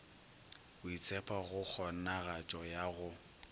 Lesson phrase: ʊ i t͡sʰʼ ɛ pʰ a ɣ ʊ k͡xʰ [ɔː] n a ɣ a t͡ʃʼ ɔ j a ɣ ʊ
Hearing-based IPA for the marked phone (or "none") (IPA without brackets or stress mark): ɔ